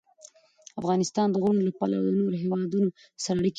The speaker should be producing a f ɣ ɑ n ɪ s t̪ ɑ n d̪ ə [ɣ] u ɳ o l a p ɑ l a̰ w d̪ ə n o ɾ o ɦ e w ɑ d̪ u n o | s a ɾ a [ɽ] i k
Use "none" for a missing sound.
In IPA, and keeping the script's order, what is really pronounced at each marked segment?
ɣ, ɽ

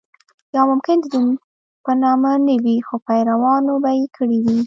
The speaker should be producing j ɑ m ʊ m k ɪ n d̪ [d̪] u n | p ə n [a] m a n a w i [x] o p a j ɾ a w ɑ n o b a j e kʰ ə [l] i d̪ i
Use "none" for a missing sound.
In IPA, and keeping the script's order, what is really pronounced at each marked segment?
d̪, ɑ, x, ɽ

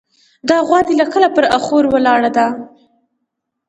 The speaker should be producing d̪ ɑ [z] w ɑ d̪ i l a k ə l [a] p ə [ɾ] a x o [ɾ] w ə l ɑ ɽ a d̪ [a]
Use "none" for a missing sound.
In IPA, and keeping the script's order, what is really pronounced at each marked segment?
ɣ, a, ɾ, ɾ, a

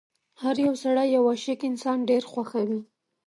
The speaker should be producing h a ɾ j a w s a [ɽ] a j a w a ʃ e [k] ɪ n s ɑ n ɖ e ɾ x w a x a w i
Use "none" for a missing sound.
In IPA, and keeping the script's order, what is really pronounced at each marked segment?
ɽ, k

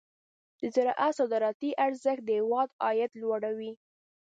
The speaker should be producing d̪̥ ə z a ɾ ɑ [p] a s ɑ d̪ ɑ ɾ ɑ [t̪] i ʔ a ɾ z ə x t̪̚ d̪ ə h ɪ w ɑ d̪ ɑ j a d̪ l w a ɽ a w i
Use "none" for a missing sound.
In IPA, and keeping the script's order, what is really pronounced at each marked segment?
ʔ, t̪

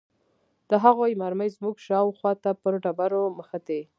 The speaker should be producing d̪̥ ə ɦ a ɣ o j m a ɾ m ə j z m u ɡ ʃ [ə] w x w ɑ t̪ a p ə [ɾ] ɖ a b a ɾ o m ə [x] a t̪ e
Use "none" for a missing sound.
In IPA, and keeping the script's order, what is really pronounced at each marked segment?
ɑ, ɾ, x

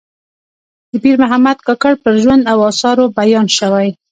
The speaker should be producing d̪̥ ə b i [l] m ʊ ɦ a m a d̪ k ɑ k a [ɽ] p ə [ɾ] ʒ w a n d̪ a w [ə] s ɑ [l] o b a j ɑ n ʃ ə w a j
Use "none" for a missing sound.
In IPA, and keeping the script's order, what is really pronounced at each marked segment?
ɾ, ɽ, ɾ, ɑ, ɾ

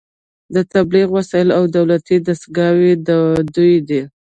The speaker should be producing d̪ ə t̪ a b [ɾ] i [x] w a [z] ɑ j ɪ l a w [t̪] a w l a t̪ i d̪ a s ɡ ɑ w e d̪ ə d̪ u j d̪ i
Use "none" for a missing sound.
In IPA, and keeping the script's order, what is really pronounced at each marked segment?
l, ɣ, s, d̪

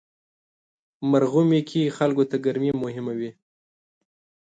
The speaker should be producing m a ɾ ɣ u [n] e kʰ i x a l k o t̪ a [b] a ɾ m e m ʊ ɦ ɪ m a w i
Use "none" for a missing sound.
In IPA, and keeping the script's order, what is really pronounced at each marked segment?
m, ɡ

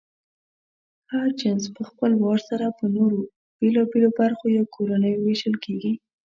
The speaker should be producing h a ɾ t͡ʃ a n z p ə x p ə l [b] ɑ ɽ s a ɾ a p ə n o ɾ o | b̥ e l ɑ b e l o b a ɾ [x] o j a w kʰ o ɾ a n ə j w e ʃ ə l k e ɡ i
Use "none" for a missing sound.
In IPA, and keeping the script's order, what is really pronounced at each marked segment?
w, x

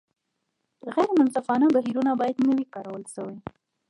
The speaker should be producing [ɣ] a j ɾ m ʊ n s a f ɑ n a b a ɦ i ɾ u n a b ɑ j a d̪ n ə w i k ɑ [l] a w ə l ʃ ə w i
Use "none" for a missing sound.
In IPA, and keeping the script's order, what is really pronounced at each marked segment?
ɣ, ɾ

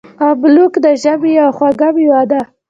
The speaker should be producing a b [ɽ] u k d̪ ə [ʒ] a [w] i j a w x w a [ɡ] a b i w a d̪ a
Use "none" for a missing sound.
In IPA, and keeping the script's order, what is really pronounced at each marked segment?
l, ʒ, b, ɡ

